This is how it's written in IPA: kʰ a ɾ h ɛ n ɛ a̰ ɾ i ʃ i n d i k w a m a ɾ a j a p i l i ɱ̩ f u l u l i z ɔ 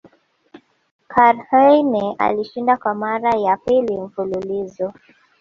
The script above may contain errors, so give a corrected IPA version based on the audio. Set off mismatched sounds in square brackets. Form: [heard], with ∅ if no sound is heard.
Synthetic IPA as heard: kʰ a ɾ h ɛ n ɛ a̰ [l] i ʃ i n d [a] k w a m a ɾ a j a p i l i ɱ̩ f u l u l i z ɔ

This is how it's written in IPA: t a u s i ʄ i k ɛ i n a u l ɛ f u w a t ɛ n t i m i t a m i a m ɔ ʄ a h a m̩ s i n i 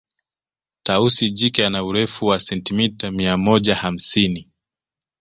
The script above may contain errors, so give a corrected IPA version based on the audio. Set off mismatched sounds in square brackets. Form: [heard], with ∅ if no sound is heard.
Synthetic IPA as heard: t a u s i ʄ i k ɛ [a] n a u [ɾ] ɛ f u w a [s] ɛ n t i m i t a m i a m ɔ ʄ a h a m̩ s i n i

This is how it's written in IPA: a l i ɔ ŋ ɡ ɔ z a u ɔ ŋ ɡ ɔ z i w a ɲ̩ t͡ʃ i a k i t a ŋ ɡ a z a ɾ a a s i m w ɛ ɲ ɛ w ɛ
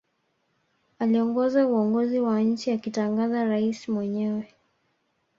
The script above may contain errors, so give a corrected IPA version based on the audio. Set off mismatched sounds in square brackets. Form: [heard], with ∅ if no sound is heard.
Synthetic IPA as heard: a l i ɔ ŋ ɡ ɔ z a u ɔ ŋ ɡ ɔ z i w a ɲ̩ t͡ʃ i a k i t a ŋ ɡ a z a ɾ a [i] s i m w ɛ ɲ ɛ w ɛ

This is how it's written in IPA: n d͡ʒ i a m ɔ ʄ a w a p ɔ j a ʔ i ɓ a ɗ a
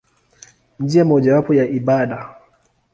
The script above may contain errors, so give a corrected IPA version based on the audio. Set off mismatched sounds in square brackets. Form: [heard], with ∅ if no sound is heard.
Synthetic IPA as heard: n d͡ʒ i a m ɔ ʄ a w a p ɔ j a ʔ i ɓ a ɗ a

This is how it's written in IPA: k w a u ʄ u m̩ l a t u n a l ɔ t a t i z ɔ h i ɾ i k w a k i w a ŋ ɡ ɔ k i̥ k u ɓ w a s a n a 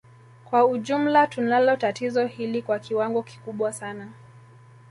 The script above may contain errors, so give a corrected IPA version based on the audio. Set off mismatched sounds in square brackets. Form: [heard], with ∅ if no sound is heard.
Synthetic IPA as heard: k w a u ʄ u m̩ l a t u n a l ɔ t a t i z ɔ h i [l] i k w a k i w a ŋ ɡ ɔ k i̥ k u ɓ w a s a n a

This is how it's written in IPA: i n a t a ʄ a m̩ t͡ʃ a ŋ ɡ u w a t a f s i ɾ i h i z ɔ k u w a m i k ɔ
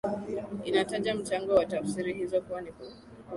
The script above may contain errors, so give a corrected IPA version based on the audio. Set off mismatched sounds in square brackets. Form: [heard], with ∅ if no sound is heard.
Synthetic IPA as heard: i n a t a ʄ a m̩ t͡ʃ a ŋ ɡ [ɔ] w a t a f s i ɾ i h i z ɔ k u w a [n] i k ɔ

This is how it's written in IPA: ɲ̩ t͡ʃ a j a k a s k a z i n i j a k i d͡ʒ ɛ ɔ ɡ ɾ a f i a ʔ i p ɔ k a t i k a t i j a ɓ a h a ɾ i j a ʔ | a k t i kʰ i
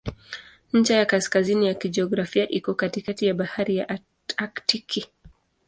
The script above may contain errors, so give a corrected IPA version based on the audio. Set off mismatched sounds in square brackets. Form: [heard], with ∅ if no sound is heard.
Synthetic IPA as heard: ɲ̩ t͡ʃ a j a k a s k a z i n i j a k i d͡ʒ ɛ ɔ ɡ ɾ a f i a ʔ i [k] ɔ k a t i k a t i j a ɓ a h a ɾ i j a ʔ | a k t i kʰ i

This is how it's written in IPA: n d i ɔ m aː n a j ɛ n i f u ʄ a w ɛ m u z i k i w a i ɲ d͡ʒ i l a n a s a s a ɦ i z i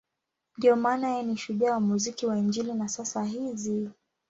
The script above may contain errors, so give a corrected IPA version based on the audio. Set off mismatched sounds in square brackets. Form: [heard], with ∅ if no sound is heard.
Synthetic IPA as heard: n d i ɔ m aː n a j ɛ n i [ʃ] u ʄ a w [a] m u z i k i w a i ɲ d͡ʒ i l [i] n a s a s a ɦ i z i

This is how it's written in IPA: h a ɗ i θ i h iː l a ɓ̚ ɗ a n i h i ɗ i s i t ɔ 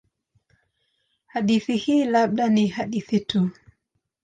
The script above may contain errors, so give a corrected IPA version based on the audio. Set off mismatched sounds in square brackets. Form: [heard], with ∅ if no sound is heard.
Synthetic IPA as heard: h a ɗ i θ i h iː l a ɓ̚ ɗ a n i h [a] ɗ i [θ] i t [u]

